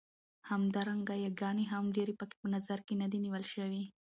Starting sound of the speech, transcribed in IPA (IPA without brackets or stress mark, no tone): h